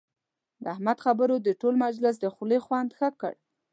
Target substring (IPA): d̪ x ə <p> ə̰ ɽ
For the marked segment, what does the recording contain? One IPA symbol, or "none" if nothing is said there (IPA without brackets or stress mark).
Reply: k